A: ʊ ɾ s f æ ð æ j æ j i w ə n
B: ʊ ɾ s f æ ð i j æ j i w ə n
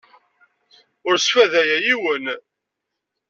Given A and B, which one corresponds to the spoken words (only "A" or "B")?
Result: A